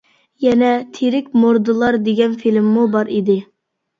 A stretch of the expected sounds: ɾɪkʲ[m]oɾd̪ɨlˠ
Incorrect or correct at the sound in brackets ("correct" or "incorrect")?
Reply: correct